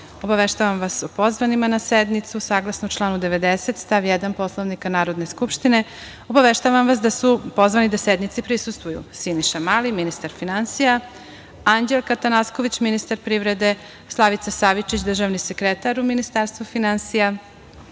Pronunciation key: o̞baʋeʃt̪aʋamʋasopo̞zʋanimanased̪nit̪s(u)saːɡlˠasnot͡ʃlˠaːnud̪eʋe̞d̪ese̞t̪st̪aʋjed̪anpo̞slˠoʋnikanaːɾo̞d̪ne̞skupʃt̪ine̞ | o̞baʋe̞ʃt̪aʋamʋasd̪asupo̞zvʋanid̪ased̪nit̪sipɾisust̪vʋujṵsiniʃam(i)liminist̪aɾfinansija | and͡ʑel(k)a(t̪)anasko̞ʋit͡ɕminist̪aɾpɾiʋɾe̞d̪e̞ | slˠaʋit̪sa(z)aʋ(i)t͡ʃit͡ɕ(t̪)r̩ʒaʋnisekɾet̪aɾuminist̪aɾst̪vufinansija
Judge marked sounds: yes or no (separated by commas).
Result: yes, no, yes, yes, no, yes, no